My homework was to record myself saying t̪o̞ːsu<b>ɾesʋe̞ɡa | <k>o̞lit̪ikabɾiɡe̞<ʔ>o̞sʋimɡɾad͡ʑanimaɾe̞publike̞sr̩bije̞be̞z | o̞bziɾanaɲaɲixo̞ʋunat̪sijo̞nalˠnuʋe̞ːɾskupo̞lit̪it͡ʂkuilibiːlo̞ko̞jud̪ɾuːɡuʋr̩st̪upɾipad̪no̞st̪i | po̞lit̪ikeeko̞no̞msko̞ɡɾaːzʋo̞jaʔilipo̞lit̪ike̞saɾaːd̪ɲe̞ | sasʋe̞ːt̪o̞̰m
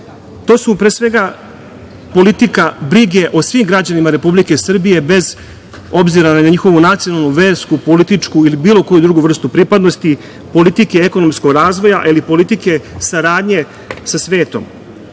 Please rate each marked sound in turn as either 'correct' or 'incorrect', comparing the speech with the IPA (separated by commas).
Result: incorrect, incorrect, correct